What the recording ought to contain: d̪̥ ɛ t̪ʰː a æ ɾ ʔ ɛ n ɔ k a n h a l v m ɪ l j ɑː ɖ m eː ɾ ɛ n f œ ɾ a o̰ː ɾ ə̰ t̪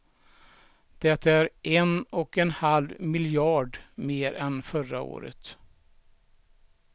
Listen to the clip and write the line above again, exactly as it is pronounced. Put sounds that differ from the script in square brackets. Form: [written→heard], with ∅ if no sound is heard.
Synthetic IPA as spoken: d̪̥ ɛ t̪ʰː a æ ɾ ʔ ɛ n ɔ k [a→ɛ] n h a l v m ɪ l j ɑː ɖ m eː ɾ ɛ n f œ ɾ a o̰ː ɾ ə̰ t̪